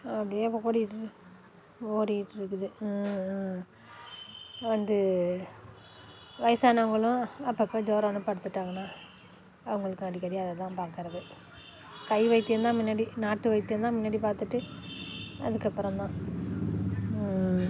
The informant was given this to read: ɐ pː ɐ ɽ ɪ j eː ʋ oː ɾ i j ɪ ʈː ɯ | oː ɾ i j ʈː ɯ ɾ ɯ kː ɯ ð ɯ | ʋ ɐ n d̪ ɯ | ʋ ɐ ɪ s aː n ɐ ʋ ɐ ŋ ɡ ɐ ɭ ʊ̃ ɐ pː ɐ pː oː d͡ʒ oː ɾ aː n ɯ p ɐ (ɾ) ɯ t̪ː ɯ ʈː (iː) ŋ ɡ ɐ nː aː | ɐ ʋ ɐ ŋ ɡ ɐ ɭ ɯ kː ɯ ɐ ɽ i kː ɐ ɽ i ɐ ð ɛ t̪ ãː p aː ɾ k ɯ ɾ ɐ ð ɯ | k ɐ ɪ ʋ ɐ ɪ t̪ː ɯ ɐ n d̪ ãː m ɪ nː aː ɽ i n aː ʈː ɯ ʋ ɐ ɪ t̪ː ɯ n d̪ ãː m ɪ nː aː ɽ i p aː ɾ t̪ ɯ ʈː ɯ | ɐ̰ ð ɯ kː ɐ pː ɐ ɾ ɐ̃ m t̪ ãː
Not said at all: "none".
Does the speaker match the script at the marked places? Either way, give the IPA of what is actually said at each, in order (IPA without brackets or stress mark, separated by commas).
ɽ, aː